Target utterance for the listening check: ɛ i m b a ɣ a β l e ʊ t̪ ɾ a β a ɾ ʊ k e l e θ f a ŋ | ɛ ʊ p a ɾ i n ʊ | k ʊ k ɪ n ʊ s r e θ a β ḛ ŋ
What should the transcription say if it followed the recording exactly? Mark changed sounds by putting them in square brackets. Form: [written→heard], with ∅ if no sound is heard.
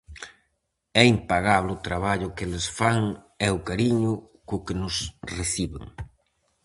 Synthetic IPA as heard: ɛ i m [b→p] a ɣ a β l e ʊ t̪ ɾ a β a [ɾ→ʎ] ʊ k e l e [θ→s] f a ŋ | ɛ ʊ [p→k] a ɾ i [n→ɲ] ʊ | k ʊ k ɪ n ʊ s r e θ [a→i] β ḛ ŋ